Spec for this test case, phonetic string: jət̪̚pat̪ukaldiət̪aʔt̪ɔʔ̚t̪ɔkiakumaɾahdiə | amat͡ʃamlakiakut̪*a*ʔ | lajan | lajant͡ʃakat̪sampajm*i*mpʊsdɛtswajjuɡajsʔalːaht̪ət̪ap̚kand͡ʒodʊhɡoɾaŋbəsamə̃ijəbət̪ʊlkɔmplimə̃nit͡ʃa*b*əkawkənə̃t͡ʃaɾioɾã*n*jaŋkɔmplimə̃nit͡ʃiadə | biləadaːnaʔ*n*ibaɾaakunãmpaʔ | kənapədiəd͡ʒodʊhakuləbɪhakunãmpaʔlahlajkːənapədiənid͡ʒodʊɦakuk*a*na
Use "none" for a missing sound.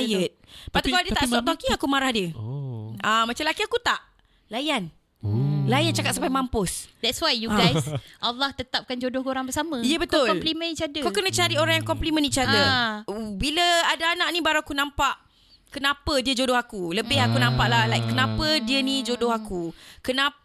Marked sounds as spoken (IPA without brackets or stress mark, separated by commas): a, a, d, ŋ, n, ə